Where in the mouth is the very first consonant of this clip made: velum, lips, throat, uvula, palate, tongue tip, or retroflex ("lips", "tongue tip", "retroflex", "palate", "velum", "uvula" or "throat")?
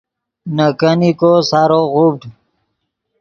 tongue tip